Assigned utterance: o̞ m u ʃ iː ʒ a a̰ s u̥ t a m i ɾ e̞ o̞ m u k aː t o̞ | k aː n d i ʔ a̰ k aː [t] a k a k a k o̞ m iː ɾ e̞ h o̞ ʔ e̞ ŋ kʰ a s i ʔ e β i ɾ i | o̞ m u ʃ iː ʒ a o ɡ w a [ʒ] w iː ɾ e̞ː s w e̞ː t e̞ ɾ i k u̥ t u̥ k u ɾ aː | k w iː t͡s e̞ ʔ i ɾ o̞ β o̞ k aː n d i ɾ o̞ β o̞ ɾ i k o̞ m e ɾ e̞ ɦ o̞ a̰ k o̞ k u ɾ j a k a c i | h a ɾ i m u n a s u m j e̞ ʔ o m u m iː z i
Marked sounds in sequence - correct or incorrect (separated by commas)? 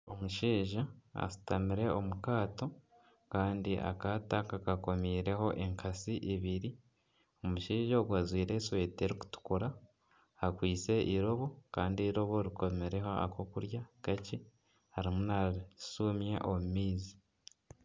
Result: correct, incorrect